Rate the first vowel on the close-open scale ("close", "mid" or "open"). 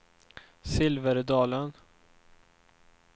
close